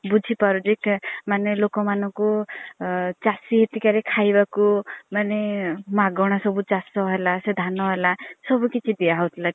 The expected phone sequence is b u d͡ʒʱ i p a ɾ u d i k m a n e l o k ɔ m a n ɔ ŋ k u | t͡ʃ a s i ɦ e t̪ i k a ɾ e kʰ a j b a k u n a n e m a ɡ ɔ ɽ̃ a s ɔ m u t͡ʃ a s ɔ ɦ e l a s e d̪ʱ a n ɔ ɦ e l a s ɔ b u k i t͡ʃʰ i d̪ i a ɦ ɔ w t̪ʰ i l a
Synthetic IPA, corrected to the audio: b u d͡ʒʱ i p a ɾ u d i k m a n e l o k ɔ m a n ɔ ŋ k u | t͡ʃ a s i ɦ e t̪ i k a ɾ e kʰ a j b a k u m a n e m a ɡ ɔ ɽ̃ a s ɔ b u t͡ʃ a s ɔ ɦ e l a s e d̪ʱ a n ɔ ɦ e l a s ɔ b u k i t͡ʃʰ i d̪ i a ɦ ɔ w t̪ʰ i l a